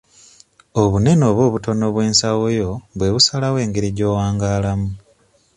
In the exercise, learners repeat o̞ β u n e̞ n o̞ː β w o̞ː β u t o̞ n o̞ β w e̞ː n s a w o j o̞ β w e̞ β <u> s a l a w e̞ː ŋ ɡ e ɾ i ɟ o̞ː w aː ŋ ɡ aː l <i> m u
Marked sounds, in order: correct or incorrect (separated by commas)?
correct, incorrect